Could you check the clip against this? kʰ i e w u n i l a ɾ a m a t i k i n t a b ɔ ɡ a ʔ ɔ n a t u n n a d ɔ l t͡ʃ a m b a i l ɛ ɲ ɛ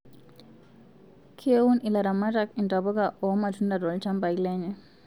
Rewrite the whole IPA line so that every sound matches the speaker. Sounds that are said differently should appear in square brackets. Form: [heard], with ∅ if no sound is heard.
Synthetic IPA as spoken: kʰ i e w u n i l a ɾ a m a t [a] k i n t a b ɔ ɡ a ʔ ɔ [m] a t u n [d] a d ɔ l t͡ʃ a m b a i l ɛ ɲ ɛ